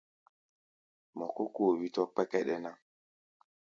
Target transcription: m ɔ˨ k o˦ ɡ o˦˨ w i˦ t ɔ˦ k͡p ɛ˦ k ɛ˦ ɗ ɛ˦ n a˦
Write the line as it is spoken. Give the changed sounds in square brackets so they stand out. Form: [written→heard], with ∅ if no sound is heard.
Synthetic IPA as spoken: m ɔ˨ k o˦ [ɡ→k] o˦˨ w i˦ t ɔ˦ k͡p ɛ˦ k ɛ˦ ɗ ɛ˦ n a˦